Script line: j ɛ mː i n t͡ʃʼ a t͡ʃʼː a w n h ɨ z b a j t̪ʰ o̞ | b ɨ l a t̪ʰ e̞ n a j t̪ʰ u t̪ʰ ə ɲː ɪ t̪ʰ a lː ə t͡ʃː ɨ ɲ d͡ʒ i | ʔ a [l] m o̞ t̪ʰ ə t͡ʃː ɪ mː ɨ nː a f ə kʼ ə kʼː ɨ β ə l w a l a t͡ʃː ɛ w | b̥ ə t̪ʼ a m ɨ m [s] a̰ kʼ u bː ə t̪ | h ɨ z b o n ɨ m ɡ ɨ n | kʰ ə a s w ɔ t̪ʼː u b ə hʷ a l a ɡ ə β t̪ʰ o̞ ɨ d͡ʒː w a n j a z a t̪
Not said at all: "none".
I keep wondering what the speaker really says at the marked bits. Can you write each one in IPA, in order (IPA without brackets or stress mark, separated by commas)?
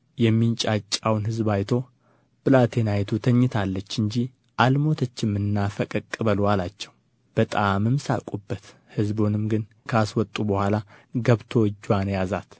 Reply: l, s